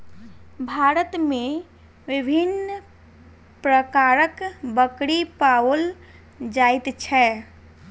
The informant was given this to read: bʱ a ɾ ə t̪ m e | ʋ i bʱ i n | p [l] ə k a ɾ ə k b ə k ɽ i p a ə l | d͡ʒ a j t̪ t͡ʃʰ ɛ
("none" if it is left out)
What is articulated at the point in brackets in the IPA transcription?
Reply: ɾ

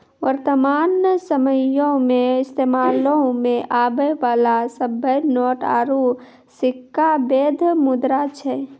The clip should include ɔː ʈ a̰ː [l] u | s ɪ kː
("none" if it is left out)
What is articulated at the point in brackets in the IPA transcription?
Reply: ɾ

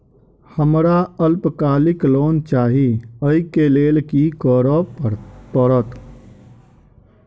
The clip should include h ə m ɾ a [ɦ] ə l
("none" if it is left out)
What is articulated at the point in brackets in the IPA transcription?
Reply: none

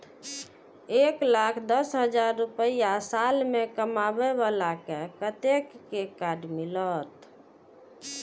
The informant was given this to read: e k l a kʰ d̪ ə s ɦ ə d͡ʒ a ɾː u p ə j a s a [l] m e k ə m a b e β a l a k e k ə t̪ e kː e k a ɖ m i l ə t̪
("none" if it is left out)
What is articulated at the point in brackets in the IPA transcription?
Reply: l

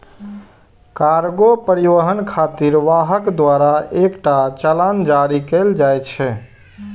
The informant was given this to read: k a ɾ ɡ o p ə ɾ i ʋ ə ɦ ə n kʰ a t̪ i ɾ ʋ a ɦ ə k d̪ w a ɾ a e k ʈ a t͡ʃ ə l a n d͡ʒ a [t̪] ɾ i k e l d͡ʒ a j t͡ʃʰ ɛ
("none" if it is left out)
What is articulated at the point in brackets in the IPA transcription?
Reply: none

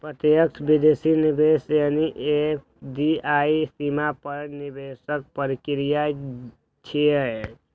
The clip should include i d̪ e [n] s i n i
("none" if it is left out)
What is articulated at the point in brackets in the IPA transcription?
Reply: none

